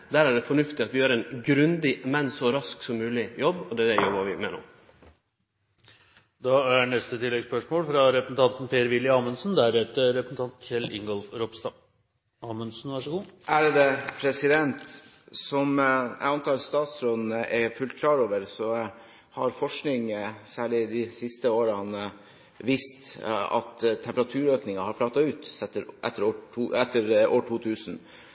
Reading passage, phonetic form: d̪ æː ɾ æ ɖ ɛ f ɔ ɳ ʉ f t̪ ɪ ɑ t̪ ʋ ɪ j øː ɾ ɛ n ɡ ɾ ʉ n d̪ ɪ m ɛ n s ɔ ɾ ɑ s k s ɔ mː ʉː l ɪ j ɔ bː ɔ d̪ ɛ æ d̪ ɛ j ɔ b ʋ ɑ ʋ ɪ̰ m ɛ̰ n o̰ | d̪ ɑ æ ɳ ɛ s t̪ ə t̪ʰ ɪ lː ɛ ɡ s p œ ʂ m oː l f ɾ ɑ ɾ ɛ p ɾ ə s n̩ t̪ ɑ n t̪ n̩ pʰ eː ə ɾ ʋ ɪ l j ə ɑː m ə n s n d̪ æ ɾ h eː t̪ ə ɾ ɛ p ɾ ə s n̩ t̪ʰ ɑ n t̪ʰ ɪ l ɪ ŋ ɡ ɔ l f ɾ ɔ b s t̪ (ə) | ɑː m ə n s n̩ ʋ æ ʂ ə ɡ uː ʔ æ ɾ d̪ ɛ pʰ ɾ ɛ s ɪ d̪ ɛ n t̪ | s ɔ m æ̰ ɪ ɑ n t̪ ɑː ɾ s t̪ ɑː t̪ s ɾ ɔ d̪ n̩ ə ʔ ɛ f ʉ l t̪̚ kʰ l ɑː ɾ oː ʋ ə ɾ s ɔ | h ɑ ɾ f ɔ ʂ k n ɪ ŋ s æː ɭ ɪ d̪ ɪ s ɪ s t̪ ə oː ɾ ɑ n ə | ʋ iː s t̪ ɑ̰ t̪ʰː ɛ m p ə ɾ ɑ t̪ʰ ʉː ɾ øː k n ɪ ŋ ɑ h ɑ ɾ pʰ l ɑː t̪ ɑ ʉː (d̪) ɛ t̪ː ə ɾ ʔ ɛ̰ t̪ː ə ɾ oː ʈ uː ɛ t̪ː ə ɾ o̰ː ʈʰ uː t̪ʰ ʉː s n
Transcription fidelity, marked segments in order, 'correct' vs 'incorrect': incorrect: ɑ, incorrect: t̪

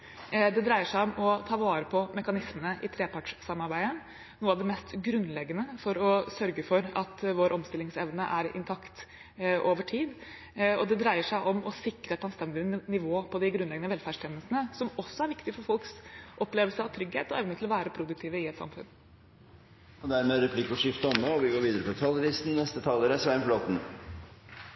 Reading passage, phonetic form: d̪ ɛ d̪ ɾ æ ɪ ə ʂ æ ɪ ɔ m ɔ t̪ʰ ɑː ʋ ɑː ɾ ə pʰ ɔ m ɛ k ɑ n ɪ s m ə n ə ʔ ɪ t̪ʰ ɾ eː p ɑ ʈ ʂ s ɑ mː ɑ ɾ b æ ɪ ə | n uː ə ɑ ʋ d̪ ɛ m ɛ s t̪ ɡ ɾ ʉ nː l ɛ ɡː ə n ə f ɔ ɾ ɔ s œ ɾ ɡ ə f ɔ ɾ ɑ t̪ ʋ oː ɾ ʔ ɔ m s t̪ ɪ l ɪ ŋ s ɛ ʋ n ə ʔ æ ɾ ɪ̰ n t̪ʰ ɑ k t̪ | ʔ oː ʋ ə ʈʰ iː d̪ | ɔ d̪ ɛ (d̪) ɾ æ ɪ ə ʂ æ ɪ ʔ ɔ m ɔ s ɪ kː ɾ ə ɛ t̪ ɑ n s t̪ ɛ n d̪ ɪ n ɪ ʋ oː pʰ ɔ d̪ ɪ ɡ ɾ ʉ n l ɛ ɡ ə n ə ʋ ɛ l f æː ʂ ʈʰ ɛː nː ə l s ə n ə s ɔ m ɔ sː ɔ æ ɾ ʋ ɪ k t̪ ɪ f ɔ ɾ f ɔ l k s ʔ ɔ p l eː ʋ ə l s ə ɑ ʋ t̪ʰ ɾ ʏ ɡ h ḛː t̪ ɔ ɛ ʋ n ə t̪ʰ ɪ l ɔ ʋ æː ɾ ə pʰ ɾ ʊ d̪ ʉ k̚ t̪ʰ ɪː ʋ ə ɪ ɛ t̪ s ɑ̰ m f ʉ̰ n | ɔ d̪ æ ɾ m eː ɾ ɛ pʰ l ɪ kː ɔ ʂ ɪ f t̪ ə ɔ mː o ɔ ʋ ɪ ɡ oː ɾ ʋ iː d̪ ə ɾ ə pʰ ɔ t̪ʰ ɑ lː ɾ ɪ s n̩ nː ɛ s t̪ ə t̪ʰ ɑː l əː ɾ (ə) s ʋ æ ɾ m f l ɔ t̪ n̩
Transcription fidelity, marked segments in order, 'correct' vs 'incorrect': correct, correct

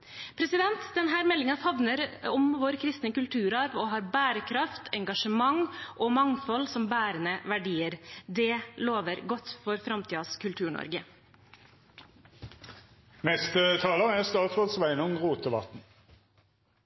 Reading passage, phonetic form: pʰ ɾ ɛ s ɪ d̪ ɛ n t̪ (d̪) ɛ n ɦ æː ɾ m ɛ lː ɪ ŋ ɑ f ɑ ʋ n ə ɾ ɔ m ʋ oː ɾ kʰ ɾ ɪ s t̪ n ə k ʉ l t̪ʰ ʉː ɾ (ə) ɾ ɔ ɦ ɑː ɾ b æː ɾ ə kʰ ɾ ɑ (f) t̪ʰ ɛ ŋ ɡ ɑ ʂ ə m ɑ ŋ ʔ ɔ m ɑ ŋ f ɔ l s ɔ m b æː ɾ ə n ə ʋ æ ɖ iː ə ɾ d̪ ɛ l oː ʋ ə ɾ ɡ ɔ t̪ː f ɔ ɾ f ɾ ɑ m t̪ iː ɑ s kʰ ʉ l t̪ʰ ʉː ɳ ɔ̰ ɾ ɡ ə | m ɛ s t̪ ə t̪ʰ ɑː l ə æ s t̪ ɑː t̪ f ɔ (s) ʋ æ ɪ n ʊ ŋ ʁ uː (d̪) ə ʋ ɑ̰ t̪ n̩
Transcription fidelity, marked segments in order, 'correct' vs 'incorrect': correct, incorrect: ɑ, correct, correct, incorrect: t̪

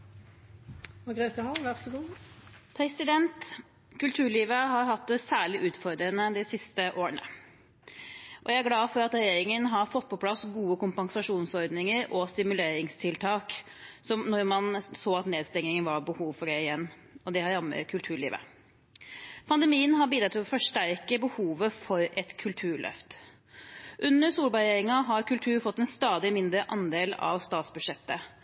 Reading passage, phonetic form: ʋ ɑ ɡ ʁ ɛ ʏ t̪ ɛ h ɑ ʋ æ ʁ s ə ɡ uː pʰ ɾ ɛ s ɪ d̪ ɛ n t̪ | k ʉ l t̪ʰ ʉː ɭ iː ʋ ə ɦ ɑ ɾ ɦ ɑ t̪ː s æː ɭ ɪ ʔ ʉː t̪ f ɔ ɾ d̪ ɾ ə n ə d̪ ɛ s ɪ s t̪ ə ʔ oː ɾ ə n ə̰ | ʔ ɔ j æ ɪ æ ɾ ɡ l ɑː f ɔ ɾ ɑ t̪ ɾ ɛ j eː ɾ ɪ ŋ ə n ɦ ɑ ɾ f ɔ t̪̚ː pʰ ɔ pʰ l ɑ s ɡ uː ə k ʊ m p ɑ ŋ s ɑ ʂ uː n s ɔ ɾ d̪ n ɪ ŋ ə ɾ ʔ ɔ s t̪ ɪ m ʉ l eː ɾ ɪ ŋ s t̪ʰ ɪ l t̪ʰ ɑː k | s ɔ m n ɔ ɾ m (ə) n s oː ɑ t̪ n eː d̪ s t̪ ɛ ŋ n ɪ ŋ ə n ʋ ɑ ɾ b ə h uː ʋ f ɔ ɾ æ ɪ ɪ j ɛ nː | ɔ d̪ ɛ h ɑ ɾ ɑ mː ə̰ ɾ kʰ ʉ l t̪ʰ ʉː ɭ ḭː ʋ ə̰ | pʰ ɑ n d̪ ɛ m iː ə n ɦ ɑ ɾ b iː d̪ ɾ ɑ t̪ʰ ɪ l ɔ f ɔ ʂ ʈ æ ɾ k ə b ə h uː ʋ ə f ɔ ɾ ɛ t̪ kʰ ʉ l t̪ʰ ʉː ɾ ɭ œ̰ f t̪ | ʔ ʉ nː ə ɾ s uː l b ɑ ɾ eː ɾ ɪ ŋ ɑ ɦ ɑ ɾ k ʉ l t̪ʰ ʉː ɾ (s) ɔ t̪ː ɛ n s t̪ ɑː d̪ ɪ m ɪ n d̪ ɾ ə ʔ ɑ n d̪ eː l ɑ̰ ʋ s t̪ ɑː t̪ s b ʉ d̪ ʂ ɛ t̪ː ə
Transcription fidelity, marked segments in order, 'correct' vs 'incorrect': incorrect: ɑ, incorrect: f

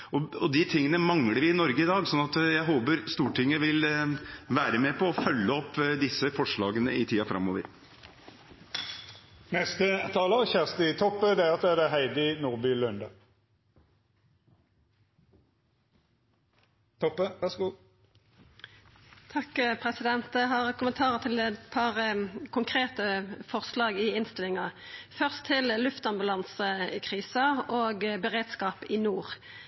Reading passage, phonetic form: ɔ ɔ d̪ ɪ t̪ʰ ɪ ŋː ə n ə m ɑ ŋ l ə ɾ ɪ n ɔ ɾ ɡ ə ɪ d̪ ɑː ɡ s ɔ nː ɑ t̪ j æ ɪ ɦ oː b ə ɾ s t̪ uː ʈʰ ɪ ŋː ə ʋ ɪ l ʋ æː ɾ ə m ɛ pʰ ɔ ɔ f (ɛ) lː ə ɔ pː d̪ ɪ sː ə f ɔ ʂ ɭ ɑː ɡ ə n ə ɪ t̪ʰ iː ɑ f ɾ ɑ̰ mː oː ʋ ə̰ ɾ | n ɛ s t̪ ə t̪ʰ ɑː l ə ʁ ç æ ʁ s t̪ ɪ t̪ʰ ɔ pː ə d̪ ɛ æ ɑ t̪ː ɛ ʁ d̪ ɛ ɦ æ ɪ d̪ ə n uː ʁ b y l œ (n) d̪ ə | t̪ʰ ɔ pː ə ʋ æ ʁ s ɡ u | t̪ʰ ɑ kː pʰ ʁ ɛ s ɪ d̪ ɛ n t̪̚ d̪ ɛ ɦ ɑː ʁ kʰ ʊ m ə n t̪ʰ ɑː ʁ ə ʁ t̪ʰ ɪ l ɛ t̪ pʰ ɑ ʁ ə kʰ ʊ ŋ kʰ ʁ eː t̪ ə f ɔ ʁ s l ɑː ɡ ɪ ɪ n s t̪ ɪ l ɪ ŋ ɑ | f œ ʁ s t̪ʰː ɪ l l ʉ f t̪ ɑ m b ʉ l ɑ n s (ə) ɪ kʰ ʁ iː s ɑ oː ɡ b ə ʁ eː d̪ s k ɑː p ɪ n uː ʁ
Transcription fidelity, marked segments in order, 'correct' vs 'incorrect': incorrect: œ, correct, correct

